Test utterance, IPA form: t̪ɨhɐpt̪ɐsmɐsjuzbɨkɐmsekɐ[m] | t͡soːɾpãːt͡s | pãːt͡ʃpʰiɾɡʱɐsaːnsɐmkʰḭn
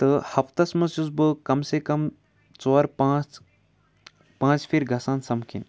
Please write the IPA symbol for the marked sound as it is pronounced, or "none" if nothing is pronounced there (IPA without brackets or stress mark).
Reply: m